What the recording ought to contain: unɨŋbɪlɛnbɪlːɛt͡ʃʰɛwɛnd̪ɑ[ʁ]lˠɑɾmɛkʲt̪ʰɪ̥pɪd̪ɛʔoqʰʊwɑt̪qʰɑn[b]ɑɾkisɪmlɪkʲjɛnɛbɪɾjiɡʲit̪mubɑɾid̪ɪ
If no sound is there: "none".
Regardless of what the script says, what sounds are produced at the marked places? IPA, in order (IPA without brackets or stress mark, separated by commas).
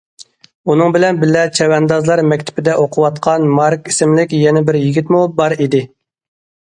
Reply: z, m